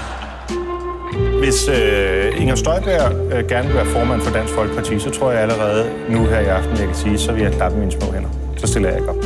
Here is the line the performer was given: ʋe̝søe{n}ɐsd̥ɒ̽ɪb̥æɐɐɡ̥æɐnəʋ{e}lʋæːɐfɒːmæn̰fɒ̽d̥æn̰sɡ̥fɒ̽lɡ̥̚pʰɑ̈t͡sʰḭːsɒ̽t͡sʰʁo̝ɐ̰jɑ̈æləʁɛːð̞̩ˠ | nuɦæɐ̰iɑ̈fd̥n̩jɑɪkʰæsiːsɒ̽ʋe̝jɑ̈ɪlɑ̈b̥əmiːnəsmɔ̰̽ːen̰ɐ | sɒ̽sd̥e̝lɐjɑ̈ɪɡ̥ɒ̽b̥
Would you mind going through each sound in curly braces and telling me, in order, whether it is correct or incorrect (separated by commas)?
incorrect, correct